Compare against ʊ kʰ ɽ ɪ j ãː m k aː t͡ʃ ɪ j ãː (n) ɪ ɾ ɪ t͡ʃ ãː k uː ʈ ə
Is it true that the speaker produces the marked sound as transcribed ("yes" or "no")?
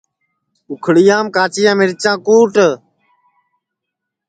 no